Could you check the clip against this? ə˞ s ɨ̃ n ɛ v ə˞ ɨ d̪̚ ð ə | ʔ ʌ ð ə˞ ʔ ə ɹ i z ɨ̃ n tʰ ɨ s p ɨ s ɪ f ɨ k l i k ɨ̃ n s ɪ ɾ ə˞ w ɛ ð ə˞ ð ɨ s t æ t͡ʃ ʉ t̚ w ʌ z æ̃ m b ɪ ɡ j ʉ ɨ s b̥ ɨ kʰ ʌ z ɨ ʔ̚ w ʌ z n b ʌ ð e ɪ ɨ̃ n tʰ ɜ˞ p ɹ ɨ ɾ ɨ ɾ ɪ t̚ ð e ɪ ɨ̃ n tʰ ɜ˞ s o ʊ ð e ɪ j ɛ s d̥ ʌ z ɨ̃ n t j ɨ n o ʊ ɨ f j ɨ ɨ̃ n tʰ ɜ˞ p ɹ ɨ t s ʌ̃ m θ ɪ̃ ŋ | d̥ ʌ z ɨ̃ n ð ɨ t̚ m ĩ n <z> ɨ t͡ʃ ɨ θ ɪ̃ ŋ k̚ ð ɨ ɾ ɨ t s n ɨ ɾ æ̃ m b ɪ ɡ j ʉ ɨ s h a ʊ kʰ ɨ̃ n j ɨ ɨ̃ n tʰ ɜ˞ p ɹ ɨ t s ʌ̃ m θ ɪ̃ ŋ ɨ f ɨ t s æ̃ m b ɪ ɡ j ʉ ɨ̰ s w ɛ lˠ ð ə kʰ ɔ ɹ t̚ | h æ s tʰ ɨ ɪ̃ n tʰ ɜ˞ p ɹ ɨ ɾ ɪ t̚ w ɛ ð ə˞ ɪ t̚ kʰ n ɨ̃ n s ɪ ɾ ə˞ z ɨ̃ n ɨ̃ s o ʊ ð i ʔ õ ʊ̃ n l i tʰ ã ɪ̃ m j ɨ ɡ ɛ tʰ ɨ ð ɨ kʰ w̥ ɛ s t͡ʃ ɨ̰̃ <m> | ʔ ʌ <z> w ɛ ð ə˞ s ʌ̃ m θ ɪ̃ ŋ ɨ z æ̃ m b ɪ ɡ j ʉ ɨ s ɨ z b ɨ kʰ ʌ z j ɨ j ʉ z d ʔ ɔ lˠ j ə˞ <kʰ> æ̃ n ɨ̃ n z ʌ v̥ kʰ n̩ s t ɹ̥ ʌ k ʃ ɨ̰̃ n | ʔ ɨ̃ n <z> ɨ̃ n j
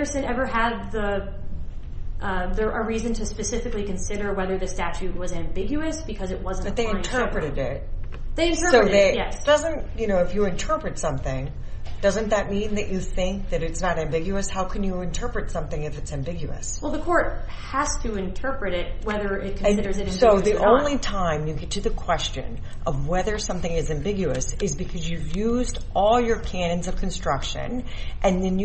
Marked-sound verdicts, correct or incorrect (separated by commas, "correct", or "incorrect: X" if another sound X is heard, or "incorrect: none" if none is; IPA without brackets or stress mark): incorrect: ð, incorrect: n, incorrect: v, correct, incorrect: ð